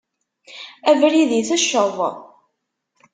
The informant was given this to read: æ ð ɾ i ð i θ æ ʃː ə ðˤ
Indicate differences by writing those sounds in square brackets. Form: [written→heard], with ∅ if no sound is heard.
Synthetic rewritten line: æ [ð→v] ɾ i ð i θ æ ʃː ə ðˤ